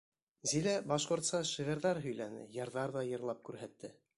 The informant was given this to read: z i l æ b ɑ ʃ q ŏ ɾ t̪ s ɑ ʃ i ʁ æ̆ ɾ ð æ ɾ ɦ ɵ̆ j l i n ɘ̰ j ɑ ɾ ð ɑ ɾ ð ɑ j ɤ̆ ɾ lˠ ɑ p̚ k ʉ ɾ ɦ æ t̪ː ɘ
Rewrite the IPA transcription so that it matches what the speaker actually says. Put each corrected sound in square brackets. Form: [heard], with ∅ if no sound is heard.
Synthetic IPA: z i l æ b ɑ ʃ q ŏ ɾ t̪ s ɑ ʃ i ʁ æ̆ ɾ ð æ ɾ ɦ ɵ̆ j l [æ] n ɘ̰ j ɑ ɾ ð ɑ ɾ ð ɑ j ɤ̆ ɾ lˠ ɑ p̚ k ʉ ɾ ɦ æ t̪ː ɘ

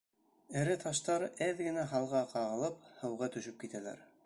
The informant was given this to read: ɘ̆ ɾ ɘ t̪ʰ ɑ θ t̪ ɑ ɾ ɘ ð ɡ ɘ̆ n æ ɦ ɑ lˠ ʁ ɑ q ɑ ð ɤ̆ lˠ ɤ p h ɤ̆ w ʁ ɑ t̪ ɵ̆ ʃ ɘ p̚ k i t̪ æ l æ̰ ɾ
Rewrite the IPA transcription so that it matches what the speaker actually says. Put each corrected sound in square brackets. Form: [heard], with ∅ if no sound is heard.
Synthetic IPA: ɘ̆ ɾ ɘ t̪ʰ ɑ [ʃ] t̪ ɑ ɾ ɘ ð ɡ ɘ̆ n æ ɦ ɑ lˠ ʁ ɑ q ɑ [ʁ] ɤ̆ lˠ ɤ p h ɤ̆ w ʁ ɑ t̪ ɵ̆ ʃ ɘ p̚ k i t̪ æ l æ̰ ɾ

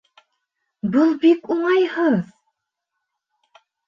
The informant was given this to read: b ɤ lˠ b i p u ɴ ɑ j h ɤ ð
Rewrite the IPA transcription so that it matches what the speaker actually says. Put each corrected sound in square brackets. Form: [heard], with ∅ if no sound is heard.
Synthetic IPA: b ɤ lˠ b i [k] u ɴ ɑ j h ɤ ð

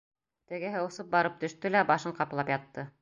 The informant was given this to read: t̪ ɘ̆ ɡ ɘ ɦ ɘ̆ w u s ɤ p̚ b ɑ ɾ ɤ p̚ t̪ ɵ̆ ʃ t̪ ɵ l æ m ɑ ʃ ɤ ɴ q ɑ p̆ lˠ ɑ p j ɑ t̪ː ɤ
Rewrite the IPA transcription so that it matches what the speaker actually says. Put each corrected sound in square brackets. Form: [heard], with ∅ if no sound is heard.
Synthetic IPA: t̪ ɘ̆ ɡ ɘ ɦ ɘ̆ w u s ɤ p̚ b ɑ ɾ ɤ p̚ t̪ ɵ̆ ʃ t̪ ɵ l æ [b] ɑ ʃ ɤ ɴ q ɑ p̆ lˠ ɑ p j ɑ t̪ː ɤ

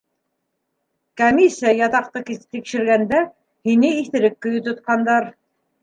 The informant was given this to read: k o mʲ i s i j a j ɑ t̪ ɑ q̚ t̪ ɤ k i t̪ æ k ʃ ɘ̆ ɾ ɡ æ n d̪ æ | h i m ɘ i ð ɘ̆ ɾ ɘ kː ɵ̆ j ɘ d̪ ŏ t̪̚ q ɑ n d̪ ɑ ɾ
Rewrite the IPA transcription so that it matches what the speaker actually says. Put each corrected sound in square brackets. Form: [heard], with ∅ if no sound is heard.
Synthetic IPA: k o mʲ i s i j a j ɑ t̪ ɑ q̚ t̪ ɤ k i t̪ [i] k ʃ ɘ̆ ɾ ɡ æ n d̪ æ | h i [n] ɘ i [θ] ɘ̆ ɾ ɘ kː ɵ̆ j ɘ [t̪] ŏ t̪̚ q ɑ n d̪ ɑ ɾ

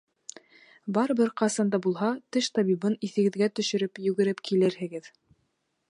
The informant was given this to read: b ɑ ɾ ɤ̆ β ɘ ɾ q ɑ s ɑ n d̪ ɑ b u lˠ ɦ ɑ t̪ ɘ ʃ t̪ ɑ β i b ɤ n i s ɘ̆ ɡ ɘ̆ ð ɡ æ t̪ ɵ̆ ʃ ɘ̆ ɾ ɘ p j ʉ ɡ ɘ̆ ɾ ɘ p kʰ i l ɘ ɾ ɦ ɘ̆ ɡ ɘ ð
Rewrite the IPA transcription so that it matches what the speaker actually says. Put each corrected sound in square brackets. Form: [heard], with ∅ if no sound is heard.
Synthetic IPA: b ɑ ɾ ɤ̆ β ɘ ɾ q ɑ s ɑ n d̪ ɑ b u lˠ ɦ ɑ t̪ ɘ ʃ t̪ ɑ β i b ɤ n i [θ] ɘ̆ ɡ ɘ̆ ð ɡ æ t̪ ɵ̆ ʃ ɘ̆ ɾ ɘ p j ʉ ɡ ɘ̆ ɾ ɘ p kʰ i l ɘ ɾ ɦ ɘ̆ ɡ ɘ ð

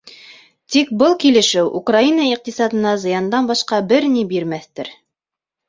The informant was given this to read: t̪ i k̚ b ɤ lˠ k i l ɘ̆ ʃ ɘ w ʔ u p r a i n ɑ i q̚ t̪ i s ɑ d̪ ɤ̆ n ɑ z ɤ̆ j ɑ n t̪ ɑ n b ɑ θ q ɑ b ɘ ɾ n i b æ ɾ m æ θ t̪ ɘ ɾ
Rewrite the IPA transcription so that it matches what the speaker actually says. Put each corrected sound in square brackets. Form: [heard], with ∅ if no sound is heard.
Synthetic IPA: t̪ i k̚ b ɤ lˠ k i l ɘ̆ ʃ ɘ w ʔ u [k] r a i n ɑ i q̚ t̪ i s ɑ d̪ ɤ̆ n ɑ z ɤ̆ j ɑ n [d̪] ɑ n b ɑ [ʃ] q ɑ b ɘ ɾ n i b [i] ɾ m æ θ t̪ ɘ ɾ

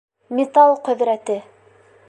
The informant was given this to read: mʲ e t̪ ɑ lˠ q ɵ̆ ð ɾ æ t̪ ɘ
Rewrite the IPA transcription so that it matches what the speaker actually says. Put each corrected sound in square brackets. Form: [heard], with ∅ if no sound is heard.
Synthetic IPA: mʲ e t̪ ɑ lˠ q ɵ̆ ð ɾ æ t̪ ɘ

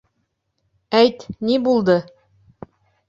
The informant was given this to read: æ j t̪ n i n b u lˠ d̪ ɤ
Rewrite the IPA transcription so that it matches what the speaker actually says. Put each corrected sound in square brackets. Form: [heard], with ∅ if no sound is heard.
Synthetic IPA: æ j t̪ n i [∅] b u lˠ d̪ ɤ

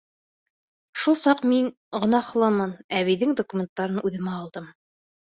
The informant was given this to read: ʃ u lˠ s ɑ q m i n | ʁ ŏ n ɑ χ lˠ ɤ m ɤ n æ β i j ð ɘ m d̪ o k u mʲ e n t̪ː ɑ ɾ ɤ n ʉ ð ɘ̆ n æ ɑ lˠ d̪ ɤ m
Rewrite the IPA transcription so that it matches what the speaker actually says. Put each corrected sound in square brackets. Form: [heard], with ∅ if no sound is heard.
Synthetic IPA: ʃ u lˠ s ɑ q m i n | ʁ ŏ n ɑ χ lˠ ɤ m ɤ n æ β i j ð ɘ [ŋ] d̪ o k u mʲ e n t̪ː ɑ ɾ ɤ n ʉ ð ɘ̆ [m] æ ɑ lˠ d̪ ɤ m

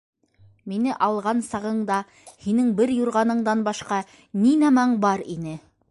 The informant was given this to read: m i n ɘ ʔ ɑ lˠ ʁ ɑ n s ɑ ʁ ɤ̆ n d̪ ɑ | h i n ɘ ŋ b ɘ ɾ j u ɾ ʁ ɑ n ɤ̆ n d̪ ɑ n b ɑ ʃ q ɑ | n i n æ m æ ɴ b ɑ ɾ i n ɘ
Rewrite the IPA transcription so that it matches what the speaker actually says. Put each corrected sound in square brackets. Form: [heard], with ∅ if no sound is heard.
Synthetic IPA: m i n ɘ ʔ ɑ lˠ ʁ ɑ n s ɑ ʁ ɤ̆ [ɴ] d̪ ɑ | h i n ɘ ŋ b ɘ ɾ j u ɾ ʁ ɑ n ɤ̆ [ɴ] d̪ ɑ n b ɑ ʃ q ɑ | n i n æ m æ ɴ b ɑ ɾ i n ɘ

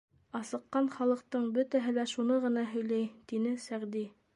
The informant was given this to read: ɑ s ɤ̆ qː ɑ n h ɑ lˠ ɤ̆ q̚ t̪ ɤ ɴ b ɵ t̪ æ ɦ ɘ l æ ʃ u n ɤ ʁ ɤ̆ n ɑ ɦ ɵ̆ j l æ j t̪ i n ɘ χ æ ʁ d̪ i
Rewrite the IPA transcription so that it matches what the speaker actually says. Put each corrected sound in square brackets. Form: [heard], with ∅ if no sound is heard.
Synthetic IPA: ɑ s ɤ̆ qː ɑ n [χ] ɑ lˠ ɤ̆ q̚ t̪ ɤ ɴ b ɵ t̪ æ ɦ ɘ l æ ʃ u n ɤ ʁ ɤ̆ n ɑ ɦ ɵ̆ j l æ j t̪ i n ɘ [s] æ ʁ d̪ i

